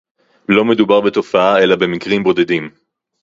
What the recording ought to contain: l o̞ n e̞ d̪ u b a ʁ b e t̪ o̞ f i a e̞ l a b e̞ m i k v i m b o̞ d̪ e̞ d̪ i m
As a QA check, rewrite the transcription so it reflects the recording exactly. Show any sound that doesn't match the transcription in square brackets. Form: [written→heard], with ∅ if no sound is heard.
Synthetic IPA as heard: l o̞ [n→m] e̞ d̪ u b a ʁ b e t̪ o̞ f [i→a] a e̞ l a b e̞ m i k [v→ʁ] i m b o̞ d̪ e̞ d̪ i m